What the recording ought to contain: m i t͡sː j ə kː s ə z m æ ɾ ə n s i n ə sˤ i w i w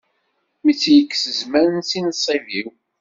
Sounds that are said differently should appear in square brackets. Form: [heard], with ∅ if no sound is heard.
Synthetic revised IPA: m i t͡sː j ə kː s ə z m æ ɾ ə n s i n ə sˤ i [v] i w